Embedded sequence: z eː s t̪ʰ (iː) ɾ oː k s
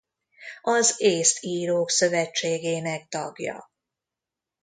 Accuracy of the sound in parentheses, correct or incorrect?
correct